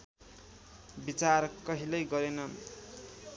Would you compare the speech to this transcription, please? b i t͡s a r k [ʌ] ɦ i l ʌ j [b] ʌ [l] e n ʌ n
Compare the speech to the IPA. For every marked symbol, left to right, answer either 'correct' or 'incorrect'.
correct, incorrect, incorrect

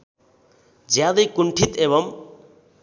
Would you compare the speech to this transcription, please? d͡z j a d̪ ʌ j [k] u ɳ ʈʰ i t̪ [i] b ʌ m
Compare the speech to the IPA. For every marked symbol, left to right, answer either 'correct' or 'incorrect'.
correct, incorrect

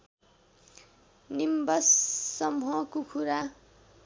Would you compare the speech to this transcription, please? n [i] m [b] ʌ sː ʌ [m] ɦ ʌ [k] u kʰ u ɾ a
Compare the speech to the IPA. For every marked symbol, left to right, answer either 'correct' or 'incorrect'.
correct, correct, correct, correct

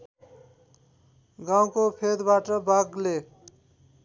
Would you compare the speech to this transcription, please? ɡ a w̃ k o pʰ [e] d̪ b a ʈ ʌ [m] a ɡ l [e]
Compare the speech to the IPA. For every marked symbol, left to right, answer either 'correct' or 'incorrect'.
correct, incorrect, correct

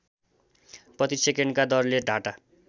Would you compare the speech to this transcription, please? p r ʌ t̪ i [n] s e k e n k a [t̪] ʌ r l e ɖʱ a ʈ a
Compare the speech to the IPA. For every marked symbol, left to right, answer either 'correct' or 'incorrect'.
incorrect, incorrect

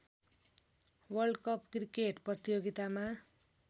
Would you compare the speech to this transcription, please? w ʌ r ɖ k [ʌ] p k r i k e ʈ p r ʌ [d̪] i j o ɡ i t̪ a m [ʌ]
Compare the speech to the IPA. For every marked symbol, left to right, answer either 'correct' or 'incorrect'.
correct, incorrect, incorrect

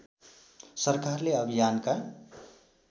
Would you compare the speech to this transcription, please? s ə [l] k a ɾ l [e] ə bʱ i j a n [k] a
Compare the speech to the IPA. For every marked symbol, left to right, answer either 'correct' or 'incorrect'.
incorrect, correct, correct

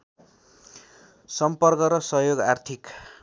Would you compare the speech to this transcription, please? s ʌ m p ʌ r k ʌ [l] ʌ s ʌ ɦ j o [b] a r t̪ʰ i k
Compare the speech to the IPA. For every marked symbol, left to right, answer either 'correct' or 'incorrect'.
incorrect, incorrect

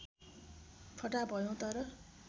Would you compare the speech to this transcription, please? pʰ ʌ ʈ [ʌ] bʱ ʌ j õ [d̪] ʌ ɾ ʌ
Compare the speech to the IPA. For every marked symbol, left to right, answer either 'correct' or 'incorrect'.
incorrect, incorrect

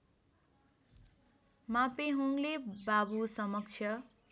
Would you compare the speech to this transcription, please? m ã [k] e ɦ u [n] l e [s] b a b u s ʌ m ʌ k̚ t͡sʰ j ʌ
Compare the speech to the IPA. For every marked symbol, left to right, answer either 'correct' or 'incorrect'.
incorrect, incorrect, incorrect

